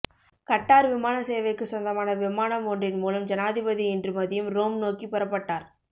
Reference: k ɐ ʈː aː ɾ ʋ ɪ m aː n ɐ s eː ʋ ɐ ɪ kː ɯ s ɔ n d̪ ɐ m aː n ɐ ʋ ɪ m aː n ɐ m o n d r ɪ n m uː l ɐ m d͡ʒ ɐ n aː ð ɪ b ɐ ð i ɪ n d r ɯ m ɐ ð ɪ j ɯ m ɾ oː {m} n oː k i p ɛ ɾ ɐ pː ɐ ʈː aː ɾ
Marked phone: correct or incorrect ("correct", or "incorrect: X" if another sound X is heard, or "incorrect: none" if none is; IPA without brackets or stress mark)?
correct